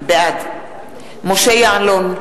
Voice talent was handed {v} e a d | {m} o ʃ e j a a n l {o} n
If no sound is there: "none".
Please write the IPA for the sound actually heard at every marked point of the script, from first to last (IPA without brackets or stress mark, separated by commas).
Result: b, m, o